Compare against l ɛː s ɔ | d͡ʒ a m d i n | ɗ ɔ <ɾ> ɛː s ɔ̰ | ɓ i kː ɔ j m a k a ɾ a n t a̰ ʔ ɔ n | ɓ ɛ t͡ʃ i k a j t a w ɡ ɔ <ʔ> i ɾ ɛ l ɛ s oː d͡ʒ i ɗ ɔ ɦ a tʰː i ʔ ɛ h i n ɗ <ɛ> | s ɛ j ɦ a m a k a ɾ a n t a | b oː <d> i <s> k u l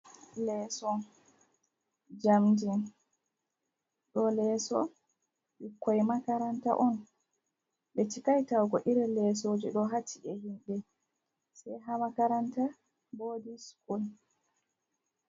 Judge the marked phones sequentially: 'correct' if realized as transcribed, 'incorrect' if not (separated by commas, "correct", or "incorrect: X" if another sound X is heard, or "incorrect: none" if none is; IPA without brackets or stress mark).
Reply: incorrect: l, correct, correct, correct, correct